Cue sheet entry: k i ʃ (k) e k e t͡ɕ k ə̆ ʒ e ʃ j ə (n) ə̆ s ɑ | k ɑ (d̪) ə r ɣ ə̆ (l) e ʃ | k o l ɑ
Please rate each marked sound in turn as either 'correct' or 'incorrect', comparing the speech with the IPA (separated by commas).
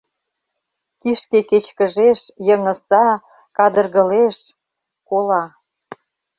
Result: correct, incorrect, correct, correct